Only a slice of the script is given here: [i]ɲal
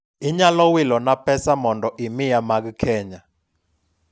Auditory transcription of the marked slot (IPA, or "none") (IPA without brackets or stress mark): i